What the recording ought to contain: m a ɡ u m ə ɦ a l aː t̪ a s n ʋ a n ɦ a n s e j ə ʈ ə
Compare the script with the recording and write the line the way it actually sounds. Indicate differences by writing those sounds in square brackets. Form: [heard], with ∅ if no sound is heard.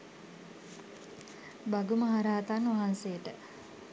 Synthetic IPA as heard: [b] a ɡ u m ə ɦ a [ɾ] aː t̪ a [∅] n ʋ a [∅] ɦ a n s e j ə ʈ ə